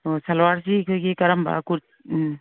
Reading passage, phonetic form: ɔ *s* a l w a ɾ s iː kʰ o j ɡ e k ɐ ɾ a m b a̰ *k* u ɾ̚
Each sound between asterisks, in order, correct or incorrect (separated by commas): correct, correct